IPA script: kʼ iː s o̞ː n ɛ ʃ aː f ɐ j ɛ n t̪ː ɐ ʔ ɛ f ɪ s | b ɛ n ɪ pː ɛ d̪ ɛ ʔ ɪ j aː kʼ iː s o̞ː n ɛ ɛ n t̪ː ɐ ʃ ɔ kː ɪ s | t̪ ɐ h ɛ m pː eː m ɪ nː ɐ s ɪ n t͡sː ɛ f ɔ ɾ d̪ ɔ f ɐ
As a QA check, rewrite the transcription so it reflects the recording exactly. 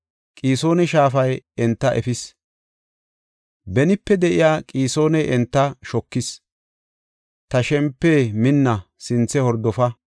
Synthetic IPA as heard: kʼ iː s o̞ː n ɛ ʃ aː f ɐ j ɛ n t̪ː ɐ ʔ ɛ f ɪ s | b ɛ n ɪ pː ɛ d̪ ɛ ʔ ɪ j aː kʼ iː s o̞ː n ɛ ɛ n t̪ː ɐ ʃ ɔ kː ɪ s | t̪ ɐ ʃ ɛ m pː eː m ɪ nː ɐ s ɪ n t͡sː ɛ h ɔ ɾ d̪ ɔ f ɐ